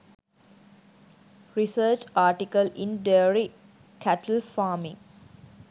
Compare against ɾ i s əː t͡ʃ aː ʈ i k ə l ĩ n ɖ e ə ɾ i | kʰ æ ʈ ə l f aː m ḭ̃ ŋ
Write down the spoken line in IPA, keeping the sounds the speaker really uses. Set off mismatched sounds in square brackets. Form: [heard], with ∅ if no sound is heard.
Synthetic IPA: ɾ i s əː t͡ʃ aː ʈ i k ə l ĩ n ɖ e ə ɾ i | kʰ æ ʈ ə l f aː m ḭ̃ ŋ